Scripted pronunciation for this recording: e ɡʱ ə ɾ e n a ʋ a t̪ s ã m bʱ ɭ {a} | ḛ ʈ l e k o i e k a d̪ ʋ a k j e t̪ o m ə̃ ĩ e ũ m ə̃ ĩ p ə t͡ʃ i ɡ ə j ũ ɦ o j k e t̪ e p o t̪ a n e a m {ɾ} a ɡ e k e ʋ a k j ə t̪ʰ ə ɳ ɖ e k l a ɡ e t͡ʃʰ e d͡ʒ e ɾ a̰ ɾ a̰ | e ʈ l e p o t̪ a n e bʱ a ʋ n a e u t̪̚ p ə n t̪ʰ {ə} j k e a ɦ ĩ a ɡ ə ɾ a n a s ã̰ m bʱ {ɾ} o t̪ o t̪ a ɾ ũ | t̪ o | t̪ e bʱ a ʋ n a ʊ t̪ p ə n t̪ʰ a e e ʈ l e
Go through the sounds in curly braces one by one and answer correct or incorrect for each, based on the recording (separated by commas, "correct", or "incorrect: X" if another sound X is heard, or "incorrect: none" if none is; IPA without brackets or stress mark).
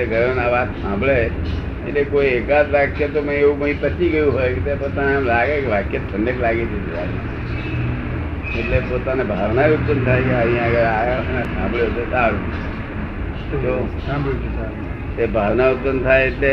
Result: incorrect: e, incorrect: l, incorrect: a, incorrect: ɭ